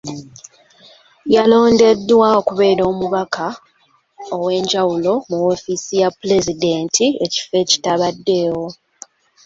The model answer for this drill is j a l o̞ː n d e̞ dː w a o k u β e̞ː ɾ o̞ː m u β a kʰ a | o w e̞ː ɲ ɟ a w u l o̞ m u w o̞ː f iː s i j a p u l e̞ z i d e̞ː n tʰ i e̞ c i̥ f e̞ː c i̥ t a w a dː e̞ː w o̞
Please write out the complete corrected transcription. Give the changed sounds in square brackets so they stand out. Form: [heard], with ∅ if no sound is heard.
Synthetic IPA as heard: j a l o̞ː n d e̞ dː w a o k u β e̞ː ɾ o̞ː m u β a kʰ a | o w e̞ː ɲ ɟ a w u l o̞ m u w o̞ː f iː s i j a p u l e̞ z i d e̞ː n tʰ i e̞ c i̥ f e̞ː c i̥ t a [β] a dː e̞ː w o̞